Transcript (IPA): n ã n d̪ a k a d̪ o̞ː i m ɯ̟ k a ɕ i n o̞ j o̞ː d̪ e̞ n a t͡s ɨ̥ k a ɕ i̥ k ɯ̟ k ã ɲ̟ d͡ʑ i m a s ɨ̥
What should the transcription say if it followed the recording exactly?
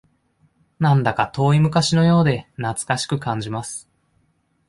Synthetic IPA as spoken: n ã n d̪ a k a t̪ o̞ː i m ɯ̟ k a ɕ i n o̞ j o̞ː d̪ e̞ n a t͡s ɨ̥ k a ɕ i̥ k ɯ̟ k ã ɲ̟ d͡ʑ i m a s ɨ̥